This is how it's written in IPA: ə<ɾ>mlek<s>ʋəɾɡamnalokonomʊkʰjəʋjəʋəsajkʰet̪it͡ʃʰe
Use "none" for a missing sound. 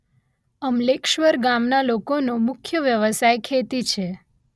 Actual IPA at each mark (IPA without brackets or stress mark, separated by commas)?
none, ʃ